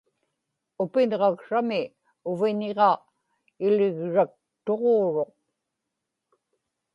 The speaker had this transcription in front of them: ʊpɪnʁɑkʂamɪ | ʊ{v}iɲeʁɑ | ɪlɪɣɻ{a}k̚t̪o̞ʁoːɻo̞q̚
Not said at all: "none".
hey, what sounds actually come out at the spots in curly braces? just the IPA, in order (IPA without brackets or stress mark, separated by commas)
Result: v, a